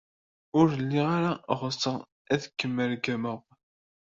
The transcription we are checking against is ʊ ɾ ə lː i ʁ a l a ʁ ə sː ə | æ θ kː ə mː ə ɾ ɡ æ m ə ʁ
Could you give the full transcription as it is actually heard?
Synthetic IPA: ʊ ɾ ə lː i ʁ a ɾ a ʁ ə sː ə | æ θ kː ə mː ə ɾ ɡ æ m ə ʁ